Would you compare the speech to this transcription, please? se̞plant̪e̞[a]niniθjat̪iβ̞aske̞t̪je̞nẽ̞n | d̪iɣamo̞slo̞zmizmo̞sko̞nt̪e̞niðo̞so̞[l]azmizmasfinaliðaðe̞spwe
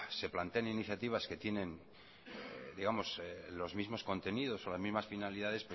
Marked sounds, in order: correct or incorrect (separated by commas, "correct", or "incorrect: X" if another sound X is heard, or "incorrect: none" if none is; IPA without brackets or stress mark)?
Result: correct, correct